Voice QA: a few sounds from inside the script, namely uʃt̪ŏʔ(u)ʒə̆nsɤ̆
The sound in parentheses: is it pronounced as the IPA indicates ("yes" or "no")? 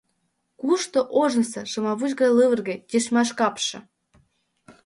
no